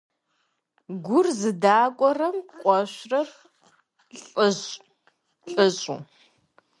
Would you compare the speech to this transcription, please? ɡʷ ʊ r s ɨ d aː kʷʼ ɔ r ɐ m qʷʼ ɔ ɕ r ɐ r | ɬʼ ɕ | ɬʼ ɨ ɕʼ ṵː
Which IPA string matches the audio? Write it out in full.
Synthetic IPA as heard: ɡʷ ʊ r z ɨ d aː kʷʼ ɔ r ɐ m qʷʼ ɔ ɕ r ɐ r | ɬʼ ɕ | ɬʼ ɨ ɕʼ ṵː